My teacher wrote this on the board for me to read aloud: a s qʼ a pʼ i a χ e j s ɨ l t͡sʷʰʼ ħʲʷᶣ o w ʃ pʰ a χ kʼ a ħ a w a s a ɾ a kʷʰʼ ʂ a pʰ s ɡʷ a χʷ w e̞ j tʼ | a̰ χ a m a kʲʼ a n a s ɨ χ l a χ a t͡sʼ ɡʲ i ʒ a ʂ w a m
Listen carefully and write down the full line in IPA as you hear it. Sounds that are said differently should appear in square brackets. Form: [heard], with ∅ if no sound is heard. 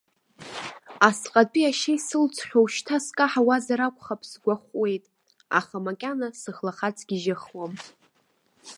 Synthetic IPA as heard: a s qʼ a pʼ i a [ʃ] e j s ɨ l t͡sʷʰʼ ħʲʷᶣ o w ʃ [tʰ] a [s] kʼ a ħ a w a [z] a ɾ a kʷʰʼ [χ] a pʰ s ɡʷ a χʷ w e̞ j tʼ | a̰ χ a m a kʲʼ a n a s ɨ χ l a χ a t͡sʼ ɡʲ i ʒ a [χ] w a m

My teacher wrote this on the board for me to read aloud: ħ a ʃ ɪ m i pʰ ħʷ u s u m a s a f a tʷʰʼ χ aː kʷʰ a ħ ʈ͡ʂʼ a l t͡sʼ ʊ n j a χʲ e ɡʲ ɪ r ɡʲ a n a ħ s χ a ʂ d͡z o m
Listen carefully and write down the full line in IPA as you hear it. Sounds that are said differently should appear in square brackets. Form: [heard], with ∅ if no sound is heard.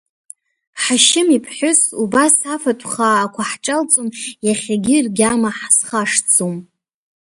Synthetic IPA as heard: ħ a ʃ ɪ m i pʰ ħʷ [ʊ] s u [b] a s a f a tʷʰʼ χ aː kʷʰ a ħ ʈ͡ʂʼ a l t͡sʼ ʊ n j a χʲ [a] ɡʲ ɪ r ɡʲ a [m] a ħ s χ a ʂ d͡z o m

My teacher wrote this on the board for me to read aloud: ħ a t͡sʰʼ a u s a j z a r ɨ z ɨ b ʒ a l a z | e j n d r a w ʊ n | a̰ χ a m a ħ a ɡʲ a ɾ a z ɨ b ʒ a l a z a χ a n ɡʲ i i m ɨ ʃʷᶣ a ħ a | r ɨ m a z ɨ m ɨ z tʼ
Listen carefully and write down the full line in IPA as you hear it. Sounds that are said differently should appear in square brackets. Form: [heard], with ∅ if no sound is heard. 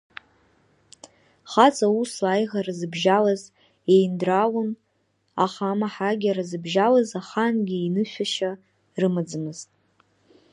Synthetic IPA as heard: [χ] a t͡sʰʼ a u s a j [ʁ] a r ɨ z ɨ b ʒ a l a z | e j n d r a w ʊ n | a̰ χ a m a ħ a ɡʲ a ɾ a z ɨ b ʒ a l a z a χ a n ɡʲ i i [n] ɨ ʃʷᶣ a [ʃ] a | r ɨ m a [d͡z] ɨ m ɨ z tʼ

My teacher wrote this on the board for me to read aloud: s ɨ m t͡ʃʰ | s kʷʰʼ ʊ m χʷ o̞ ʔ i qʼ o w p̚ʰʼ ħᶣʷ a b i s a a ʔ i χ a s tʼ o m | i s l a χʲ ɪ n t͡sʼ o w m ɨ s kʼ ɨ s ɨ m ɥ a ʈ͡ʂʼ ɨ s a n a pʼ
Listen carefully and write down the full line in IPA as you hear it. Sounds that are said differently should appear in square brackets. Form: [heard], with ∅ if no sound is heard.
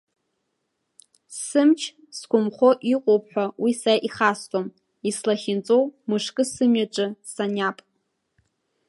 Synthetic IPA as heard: s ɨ m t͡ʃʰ | s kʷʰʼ ʊ m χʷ o̞ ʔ i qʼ o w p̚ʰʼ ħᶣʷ a [w] i s a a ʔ i χ a s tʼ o m | i s l a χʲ ɪ n t͡sʼ o w m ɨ [ʂ] kʼ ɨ s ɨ m ɥ a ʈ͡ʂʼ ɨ s a n a pʼ

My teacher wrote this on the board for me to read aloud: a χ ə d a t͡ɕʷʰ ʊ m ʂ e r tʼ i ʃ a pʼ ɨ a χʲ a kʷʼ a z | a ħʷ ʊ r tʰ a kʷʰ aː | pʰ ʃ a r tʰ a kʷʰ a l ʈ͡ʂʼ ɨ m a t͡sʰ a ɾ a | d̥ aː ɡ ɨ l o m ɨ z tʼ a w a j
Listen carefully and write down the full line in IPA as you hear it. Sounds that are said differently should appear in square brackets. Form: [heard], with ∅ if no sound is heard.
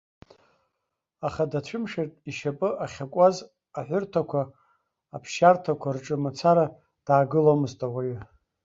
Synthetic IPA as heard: a χ [a] d a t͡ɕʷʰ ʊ m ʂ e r tʼ i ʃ a pʼ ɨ a χʲ a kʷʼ a z | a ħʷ ʊ r tʰ a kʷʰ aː | pʰ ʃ a r tʰ a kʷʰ a [r] ʈ͡ʂʼ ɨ m a t͡sʰ a ɾ a | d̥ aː ɡ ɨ l o m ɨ z tʼ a w a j

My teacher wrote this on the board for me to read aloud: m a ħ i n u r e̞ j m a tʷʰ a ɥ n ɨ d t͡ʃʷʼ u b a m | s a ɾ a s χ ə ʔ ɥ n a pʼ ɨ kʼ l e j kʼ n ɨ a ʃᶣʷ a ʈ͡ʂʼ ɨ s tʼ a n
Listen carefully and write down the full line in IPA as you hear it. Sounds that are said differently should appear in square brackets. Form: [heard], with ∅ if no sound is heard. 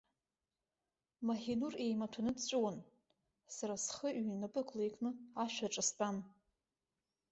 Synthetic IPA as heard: m a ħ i n u r e̞ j m a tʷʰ a [∅] n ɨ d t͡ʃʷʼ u [w] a [n] | s a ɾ a s χ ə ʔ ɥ n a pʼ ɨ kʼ l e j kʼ n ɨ a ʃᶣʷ a ʈ͡ʂʼ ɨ s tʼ a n

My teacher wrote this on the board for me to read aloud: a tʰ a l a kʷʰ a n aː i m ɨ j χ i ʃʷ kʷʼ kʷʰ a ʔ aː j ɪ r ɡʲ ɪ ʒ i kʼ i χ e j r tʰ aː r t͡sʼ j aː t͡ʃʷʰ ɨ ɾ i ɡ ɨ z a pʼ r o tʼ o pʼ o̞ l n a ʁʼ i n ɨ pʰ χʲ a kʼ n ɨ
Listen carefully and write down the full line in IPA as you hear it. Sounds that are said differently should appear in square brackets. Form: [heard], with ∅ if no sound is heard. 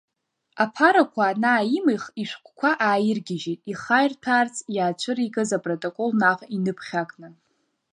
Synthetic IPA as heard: a [pʰ] a [ɾ] a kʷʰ a n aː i m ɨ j χ i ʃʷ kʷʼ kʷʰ a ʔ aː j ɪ r ɡʲ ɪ ʒ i [tʼ] i χ [a] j r tʰ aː r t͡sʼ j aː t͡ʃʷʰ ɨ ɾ i ɡ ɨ z a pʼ r o tʼ o [kʼ] o̞ l n a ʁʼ i n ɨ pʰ χʲ a kʼ n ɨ

